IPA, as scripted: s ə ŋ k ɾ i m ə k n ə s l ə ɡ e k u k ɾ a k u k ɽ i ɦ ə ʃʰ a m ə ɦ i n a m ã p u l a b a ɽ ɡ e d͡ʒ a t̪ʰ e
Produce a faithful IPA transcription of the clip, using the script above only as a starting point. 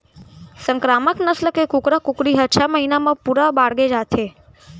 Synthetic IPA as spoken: s ə ŋ k ɾ a m ə k n ə s l ə k e k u k ɾ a k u k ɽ i ɦ ə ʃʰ a m ə ɦ i n a m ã p u ɾ a b a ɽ ɡ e d͡ʒ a t̪ʰ e